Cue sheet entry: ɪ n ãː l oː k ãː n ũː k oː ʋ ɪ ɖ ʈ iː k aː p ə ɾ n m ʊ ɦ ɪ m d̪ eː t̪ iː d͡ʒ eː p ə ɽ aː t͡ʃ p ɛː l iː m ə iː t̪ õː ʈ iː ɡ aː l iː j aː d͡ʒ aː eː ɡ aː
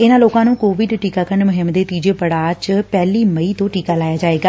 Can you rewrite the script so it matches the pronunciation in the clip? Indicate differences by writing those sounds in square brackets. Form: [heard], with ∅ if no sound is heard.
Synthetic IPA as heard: ɪ n ãː l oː k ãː n ũː k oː ʋ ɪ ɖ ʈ iː k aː [k] ə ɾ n m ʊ ɦ ɪ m d̪ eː t̪ iː d͡ʒ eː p ə ɽ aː t͡ʃ p ɛː l iː m ə iː t̪ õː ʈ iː [k] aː l [aː] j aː d͡ʒ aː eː ɡ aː